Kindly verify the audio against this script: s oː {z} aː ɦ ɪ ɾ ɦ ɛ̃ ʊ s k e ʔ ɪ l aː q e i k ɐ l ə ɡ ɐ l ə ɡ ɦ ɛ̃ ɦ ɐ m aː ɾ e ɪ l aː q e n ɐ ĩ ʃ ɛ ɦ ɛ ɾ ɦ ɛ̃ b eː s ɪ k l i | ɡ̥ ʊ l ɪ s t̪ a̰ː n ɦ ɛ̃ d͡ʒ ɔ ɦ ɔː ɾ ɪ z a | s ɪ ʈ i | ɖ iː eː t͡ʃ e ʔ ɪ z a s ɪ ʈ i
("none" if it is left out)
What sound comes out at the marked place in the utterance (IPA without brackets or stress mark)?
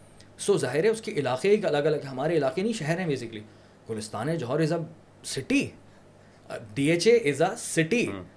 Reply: z